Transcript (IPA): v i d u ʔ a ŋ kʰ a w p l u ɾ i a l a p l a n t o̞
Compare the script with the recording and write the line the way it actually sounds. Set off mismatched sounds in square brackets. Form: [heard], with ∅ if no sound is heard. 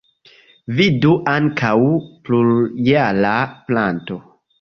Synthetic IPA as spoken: v i d u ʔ a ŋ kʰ a w p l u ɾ [j] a l a p l a n t o̞

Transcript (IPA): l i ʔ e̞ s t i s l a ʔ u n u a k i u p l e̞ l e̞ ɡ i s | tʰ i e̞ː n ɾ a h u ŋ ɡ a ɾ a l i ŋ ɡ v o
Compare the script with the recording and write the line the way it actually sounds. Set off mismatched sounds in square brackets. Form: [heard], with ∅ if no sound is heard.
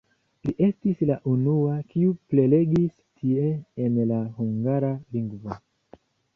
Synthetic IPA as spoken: l i ʔ e̞ s t i s l a ʔ u n u a k i u p l e̞ l e̞ ɡ i s | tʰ i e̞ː n [l] a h u ŋ ɡ a ɾ a l i ŋ ɡ v o

